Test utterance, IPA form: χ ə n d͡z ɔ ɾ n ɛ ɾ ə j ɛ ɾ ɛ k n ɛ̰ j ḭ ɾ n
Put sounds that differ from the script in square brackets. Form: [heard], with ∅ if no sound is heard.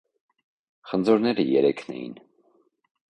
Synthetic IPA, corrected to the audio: χ ə n d͡z ɔ ɾ n ɛ ɾ ə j ɛ ɾ ɛ [kʰ] n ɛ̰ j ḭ [∅] n